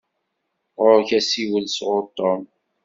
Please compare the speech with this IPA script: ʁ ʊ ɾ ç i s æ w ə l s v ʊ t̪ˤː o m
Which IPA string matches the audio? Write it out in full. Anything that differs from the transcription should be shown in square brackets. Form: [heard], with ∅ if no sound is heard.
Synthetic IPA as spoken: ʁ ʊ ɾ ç [æ] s [i] w ə l s [ʁ] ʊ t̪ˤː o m